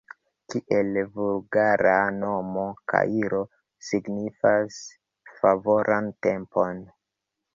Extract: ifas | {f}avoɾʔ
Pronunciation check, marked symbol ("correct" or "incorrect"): correct